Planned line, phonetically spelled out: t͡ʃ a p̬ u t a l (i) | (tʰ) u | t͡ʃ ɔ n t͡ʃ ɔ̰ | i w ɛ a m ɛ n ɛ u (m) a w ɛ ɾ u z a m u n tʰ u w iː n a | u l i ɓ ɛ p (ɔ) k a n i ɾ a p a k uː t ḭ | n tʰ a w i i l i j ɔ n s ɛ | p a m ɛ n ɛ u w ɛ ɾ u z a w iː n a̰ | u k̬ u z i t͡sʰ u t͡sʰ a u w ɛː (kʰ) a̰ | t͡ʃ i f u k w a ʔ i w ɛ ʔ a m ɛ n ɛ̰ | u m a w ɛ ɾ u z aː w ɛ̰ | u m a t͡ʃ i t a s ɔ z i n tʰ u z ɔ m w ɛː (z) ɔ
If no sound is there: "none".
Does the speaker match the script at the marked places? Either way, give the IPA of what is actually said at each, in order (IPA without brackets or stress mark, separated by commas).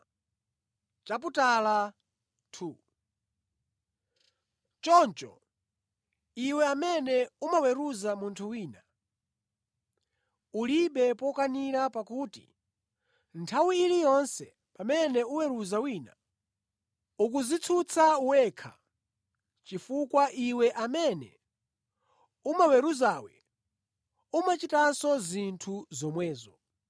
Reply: a, tʰ, m, ɔ, kʰ, z